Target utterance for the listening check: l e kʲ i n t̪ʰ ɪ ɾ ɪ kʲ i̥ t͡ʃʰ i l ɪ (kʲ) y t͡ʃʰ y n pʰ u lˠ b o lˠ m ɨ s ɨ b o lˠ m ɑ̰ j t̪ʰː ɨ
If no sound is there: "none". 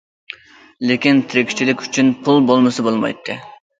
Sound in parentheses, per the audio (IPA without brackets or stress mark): kʲ